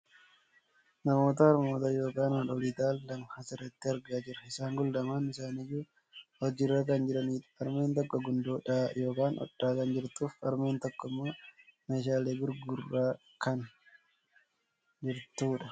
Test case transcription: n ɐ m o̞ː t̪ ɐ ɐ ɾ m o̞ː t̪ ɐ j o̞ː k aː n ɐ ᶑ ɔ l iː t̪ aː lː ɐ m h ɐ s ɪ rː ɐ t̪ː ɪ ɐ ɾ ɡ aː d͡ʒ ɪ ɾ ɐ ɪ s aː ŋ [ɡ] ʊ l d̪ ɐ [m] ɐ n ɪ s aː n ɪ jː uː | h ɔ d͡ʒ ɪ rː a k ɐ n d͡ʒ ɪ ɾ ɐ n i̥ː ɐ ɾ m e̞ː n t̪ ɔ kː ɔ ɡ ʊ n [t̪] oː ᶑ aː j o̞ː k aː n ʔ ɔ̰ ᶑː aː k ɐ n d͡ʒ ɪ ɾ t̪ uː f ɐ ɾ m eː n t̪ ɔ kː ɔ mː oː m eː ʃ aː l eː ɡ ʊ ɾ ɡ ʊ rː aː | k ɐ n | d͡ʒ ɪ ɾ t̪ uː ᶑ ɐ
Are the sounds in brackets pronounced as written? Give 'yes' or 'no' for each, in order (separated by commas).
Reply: yes, yes, no